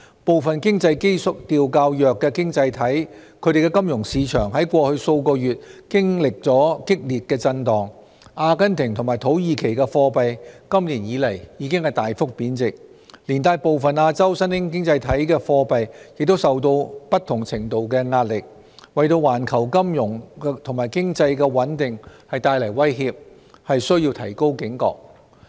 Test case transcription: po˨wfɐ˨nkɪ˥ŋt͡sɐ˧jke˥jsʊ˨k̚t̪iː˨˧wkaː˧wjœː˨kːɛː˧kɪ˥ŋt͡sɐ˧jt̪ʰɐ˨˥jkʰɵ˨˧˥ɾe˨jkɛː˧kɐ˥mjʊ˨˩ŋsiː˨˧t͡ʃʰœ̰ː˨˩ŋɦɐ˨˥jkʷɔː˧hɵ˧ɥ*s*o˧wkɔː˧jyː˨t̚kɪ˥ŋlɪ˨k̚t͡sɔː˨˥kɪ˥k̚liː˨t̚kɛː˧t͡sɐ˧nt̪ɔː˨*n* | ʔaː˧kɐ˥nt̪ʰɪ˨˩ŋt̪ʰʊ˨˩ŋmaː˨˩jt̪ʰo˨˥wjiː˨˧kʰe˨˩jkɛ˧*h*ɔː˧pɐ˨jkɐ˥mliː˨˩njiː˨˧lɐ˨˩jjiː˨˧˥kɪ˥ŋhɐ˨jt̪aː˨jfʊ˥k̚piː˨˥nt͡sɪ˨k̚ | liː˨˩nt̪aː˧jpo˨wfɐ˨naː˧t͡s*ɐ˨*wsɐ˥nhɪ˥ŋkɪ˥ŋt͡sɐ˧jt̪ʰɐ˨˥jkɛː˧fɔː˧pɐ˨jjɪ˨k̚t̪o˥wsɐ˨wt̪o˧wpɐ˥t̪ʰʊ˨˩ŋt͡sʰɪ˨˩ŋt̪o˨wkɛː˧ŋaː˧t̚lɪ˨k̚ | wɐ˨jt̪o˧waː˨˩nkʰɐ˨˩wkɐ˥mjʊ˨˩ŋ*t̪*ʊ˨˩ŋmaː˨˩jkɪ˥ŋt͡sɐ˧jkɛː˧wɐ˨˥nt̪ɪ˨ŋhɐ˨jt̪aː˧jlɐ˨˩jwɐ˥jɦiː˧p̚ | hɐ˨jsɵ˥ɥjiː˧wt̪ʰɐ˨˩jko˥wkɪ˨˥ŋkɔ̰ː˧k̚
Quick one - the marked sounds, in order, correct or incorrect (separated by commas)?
correct, incorrect, incorrect, incorrect, incorrect